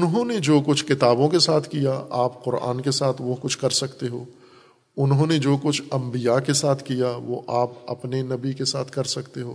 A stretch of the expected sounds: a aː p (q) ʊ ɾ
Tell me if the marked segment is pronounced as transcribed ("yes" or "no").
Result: yes